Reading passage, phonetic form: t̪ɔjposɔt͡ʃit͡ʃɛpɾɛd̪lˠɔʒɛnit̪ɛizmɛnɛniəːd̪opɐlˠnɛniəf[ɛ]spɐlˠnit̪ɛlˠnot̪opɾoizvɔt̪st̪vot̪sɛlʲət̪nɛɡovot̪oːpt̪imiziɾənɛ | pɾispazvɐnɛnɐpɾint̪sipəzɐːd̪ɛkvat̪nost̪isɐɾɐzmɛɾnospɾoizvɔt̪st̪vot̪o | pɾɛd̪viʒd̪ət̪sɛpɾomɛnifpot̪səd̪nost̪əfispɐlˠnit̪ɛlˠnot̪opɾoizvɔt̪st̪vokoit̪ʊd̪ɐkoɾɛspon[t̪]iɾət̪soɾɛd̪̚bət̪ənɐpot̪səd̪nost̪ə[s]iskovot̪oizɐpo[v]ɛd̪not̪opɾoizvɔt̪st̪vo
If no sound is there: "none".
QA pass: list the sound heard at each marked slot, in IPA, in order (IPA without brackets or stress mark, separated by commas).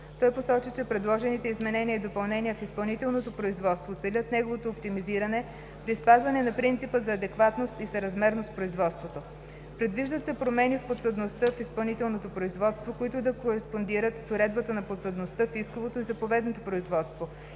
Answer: i, d̪, f, v